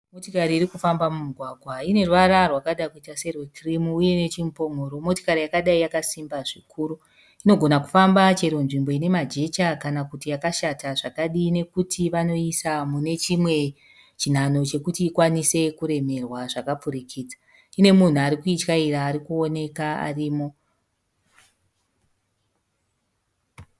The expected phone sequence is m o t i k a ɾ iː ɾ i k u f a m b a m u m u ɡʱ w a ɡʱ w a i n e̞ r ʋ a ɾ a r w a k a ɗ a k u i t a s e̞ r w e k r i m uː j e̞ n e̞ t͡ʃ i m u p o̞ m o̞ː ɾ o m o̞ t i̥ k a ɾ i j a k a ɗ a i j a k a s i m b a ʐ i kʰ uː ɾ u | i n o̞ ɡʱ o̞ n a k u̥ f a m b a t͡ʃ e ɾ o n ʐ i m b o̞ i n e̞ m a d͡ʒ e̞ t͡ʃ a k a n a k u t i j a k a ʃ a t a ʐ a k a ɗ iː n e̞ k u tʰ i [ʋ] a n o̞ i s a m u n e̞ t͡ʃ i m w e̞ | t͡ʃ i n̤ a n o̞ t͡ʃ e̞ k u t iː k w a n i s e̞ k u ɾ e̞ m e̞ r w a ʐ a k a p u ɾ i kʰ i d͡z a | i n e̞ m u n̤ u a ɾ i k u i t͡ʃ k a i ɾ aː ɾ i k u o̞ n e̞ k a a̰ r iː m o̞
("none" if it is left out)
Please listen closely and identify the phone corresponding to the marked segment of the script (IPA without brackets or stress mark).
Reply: ʋ